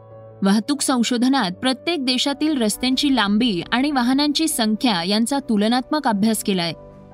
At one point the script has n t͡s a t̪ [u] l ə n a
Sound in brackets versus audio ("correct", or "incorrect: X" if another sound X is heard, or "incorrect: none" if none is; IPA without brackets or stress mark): correct